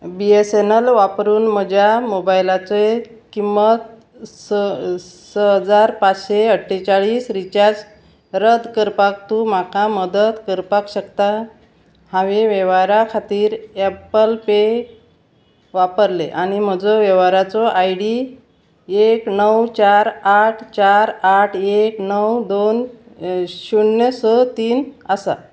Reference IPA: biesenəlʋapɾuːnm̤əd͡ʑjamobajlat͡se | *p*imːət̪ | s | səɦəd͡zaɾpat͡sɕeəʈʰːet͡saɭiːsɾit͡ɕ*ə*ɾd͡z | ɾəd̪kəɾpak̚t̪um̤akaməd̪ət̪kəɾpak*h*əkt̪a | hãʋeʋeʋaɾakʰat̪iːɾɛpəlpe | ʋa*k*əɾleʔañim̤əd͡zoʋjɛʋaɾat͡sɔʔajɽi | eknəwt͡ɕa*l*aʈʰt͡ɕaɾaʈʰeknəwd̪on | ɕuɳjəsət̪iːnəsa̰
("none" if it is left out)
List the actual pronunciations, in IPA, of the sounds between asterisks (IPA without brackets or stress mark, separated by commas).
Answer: k, a, ɕ, p, ɾ